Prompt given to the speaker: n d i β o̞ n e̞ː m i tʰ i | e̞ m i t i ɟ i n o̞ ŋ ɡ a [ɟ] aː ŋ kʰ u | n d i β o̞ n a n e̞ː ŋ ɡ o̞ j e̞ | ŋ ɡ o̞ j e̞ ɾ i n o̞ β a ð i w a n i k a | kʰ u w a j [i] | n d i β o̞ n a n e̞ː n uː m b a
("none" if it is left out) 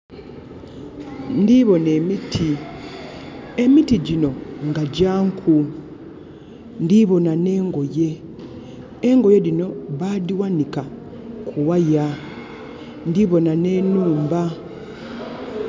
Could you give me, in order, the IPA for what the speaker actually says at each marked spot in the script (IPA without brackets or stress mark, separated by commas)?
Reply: ɟ, a